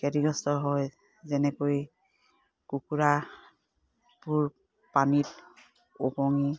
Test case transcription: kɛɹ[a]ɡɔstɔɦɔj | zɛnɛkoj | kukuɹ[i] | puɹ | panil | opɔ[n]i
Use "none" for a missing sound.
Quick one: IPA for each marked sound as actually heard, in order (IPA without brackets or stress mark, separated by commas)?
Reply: i, a, ŋ